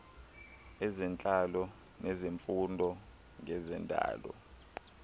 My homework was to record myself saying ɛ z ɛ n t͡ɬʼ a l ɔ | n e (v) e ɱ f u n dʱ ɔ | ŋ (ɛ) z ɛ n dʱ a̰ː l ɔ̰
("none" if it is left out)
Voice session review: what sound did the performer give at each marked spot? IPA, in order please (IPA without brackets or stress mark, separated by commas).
z, ɛ